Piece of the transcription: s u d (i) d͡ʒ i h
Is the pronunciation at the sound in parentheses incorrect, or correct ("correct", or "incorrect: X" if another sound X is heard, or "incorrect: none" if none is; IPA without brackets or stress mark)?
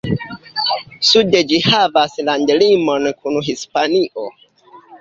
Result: incorrect: e